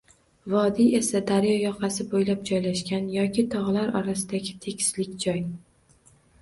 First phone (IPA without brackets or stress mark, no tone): v